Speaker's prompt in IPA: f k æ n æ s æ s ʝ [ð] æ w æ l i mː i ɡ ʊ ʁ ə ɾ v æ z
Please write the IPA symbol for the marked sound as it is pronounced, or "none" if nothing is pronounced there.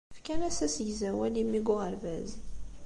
z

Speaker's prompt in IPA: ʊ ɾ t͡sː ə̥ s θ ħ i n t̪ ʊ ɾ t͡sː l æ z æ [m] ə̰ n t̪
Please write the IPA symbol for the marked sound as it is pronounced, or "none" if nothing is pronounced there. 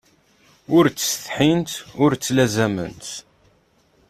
m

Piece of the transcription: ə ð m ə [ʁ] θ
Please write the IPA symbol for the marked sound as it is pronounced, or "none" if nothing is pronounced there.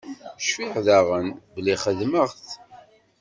ʁ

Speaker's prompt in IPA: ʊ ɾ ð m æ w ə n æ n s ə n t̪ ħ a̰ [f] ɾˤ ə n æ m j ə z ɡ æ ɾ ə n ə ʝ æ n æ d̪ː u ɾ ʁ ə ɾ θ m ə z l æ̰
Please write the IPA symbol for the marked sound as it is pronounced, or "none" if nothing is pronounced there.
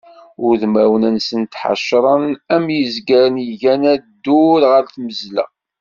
ʃ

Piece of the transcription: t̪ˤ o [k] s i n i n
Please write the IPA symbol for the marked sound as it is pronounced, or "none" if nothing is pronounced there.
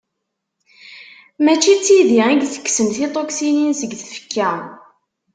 k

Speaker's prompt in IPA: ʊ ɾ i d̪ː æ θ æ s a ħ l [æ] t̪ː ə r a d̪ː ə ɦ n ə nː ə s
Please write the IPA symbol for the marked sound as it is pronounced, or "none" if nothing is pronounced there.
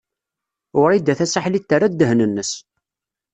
i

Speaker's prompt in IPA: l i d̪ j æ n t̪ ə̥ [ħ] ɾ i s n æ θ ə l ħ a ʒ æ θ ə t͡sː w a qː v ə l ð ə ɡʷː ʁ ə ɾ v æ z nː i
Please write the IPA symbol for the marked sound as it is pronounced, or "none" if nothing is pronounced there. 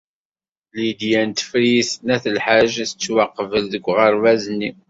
f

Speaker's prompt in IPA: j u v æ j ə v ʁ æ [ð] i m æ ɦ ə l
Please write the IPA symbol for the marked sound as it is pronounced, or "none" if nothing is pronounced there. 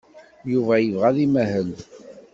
ð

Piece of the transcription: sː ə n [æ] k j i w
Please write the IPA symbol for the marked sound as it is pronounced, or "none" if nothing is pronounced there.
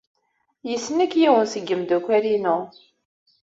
æ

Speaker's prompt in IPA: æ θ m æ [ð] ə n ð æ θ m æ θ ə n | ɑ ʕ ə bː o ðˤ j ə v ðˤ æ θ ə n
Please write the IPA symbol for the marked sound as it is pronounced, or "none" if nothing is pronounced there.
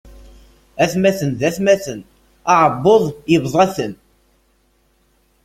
θ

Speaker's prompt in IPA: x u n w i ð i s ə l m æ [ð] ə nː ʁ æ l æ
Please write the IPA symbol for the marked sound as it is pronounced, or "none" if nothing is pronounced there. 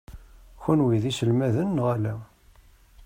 ð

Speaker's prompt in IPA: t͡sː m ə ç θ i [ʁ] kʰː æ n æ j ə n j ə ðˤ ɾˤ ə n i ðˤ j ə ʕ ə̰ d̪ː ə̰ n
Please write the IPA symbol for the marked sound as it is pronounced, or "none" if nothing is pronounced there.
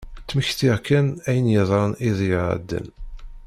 ʁ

